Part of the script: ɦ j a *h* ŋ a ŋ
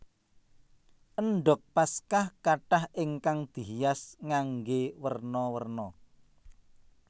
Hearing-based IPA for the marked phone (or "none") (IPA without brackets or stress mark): s